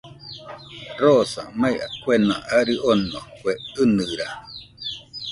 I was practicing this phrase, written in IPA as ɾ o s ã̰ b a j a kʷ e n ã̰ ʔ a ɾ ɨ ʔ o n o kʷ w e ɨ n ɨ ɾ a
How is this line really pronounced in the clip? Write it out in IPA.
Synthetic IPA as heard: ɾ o s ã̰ m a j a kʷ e n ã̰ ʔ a ɾ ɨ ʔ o n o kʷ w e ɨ n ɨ ɾ a